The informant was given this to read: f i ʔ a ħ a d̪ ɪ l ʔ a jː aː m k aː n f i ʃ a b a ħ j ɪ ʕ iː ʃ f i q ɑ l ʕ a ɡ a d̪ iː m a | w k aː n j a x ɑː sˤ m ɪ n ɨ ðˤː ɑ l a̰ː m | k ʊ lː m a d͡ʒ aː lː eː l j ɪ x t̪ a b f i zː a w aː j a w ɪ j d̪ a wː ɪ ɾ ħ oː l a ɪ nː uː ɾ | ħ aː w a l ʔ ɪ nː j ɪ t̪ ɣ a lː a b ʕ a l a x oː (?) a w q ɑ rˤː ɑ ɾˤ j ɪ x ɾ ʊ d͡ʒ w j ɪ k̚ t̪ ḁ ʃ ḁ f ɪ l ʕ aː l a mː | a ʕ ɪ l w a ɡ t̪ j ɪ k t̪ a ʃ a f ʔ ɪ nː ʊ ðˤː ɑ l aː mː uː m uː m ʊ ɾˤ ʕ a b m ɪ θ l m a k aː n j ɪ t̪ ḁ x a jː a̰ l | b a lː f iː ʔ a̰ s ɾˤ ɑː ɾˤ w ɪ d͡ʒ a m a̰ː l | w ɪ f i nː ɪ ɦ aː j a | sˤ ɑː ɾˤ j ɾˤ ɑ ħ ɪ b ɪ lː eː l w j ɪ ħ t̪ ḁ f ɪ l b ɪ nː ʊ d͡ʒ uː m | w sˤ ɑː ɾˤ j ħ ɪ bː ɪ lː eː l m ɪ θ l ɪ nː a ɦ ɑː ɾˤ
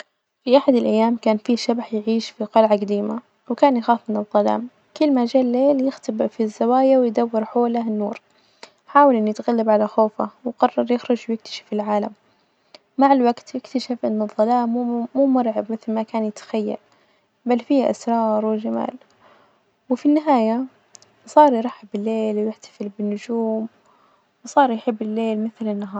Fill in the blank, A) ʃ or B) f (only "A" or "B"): B